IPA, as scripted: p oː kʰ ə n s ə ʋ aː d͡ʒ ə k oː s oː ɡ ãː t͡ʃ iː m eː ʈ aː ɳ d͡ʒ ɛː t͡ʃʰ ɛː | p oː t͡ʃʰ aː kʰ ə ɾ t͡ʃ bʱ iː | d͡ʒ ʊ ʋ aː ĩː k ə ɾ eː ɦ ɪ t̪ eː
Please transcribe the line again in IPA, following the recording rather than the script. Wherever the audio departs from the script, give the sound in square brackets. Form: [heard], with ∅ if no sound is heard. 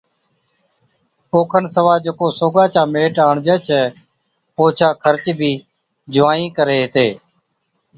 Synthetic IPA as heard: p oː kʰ ə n s ə ʋ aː d͡ʒ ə k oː s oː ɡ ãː t͡ʃ [aː] m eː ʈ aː ɳ d͡ʒ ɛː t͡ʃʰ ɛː | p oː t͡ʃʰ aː kʰ ə ɾ t͡ʃ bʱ iː | d͡ʒ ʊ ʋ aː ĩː k ə ɾ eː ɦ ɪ t̪ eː